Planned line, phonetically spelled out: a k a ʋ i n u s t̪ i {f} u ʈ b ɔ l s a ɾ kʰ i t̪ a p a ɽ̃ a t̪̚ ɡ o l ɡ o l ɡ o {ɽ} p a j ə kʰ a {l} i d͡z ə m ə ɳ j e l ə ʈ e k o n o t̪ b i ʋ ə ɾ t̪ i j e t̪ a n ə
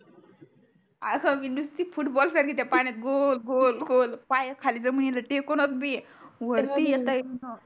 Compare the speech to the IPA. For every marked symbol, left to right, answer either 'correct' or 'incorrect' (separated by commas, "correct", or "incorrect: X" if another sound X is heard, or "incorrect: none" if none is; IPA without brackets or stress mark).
correct, incorrect: l, correct